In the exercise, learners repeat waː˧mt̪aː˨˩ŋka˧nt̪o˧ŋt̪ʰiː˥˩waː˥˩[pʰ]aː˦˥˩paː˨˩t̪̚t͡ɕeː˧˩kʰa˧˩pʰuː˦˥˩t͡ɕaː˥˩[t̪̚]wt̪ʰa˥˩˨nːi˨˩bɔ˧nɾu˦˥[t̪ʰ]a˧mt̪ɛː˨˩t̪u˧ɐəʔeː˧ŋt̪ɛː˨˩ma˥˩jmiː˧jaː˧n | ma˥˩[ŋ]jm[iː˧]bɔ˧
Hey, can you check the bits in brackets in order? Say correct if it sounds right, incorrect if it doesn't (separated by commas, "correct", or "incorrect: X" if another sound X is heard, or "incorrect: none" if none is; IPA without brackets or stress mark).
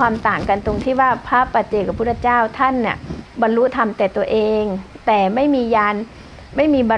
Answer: correct, incorrect: none, correct, incorrect: none, correct